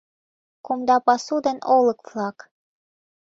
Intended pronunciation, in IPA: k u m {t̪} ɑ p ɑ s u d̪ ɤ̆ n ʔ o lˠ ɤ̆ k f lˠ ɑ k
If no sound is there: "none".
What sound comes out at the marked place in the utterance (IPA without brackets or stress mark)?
d̪